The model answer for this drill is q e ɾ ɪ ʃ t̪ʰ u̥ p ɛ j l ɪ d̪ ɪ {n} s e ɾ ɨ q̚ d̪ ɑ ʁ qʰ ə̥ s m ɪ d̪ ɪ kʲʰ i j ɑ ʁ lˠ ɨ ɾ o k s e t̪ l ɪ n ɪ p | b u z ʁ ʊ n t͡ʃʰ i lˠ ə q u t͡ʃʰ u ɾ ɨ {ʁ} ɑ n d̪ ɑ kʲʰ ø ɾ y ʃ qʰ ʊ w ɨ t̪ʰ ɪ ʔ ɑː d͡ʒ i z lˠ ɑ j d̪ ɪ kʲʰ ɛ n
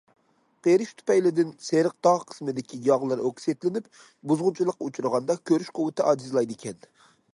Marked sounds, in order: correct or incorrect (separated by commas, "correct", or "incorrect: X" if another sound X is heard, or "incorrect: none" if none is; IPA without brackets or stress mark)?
correct, correct